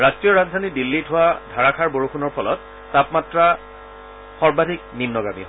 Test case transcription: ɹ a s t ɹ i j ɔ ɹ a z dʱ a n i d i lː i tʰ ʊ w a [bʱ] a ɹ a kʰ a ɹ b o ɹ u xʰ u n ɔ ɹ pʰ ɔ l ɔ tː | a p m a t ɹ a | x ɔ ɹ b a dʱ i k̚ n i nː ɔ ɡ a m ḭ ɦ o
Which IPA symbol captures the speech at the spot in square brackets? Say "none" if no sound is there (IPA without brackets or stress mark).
dʱ